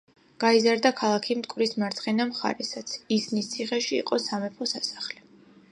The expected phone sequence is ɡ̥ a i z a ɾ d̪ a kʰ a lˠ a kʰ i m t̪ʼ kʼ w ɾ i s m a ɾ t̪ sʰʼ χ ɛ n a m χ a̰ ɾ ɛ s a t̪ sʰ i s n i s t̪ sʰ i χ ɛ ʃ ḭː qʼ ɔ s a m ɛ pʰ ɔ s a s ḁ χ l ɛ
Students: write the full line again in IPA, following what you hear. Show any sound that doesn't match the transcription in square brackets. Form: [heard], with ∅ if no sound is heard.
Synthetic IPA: ɡ̥ a i z a ɾ d̪ a kʰ a lˠ a kʰ i m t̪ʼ kʼ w ɾ i s m a ɾ t̪ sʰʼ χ ɛ n a m χ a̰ ɾ ɛ s a t̪ sʰ i s n i s t̪ sʰ i χ ɛ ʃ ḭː qʼ ɔ s a m ɛ pʰ ɔ s a s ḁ χ l ɛ